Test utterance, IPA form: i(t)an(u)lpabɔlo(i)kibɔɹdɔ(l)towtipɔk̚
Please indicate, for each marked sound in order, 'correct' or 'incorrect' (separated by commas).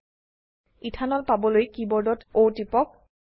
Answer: incorrect, incorrect, incorrect, incorrect